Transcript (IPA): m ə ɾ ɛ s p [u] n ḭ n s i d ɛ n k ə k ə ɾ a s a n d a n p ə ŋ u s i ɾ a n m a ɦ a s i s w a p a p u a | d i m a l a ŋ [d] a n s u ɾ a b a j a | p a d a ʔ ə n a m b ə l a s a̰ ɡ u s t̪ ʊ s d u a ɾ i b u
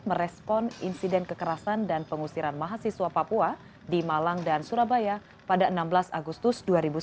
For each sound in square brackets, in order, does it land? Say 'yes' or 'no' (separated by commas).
no, yes